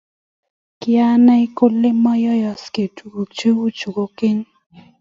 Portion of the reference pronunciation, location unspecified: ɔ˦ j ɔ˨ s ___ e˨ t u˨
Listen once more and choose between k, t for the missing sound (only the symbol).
k